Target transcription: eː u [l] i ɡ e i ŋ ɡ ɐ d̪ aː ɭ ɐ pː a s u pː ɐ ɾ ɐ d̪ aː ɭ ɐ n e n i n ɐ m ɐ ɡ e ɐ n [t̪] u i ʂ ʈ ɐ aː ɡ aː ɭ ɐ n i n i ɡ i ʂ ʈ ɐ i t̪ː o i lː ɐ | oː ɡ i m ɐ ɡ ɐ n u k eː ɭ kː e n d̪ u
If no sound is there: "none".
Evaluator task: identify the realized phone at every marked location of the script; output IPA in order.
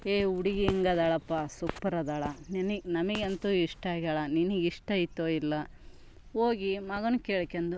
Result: ɽ, t̪

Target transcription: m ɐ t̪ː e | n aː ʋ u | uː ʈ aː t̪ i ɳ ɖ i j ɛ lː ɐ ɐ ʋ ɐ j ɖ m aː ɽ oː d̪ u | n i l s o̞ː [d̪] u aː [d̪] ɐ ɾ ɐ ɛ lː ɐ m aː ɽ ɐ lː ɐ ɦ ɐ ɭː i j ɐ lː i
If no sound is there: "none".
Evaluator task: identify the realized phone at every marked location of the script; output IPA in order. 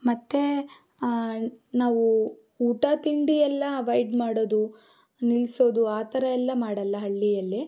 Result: d̪, t̪

